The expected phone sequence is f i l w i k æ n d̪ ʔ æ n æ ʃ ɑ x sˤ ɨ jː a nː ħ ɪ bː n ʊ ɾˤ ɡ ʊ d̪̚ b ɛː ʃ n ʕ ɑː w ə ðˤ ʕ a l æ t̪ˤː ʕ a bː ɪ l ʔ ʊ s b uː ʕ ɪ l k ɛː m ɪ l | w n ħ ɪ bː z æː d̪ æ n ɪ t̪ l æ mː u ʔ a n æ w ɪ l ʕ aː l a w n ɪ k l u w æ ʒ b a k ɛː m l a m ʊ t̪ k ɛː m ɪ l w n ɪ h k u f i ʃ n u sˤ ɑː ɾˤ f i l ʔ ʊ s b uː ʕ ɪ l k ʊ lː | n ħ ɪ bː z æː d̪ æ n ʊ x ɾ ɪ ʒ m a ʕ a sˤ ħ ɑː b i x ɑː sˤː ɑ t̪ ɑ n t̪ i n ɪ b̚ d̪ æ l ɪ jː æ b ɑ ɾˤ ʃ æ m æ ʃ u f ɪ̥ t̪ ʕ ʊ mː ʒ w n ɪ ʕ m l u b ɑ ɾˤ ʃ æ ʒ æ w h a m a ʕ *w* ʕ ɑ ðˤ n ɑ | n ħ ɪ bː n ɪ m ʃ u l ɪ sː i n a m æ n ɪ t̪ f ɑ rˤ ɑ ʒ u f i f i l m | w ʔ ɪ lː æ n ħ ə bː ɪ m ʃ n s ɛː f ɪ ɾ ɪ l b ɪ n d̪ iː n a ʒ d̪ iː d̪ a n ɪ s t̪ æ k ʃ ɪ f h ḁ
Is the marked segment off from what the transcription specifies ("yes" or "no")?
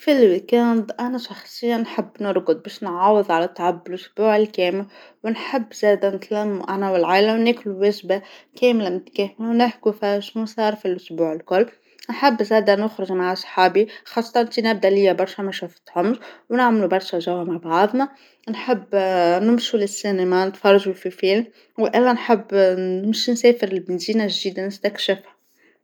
yes